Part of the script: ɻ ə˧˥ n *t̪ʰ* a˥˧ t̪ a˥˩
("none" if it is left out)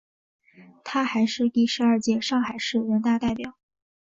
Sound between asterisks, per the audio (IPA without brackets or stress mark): t̪